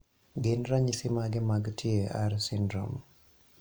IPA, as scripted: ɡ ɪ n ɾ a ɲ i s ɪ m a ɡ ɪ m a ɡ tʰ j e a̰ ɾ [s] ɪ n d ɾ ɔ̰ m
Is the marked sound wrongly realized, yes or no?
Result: no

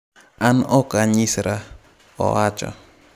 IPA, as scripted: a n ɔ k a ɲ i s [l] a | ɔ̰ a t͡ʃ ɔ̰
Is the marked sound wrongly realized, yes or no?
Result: yes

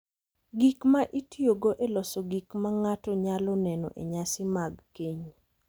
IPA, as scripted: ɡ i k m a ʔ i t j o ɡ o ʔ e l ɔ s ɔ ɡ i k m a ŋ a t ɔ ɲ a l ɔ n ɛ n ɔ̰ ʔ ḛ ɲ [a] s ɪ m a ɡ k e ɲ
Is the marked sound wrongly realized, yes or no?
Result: no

